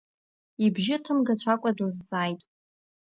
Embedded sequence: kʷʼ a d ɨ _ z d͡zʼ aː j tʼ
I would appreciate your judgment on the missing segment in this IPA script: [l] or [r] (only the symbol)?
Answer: l